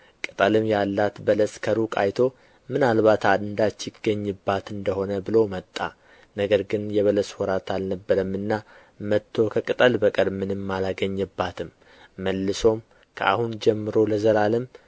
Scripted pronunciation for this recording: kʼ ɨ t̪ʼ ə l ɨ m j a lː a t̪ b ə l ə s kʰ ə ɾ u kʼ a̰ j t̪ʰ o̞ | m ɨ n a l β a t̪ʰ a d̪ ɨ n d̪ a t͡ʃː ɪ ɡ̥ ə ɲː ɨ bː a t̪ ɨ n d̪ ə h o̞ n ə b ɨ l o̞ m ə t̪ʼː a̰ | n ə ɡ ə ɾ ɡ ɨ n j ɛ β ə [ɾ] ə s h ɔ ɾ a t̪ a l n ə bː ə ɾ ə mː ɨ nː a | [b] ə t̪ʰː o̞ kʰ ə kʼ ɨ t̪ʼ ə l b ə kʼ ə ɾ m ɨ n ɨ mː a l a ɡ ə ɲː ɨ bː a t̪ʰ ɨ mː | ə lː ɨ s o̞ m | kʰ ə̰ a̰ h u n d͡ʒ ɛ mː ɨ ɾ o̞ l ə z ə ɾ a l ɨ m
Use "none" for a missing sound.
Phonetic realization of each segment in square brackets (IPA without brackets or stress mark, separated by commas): l, m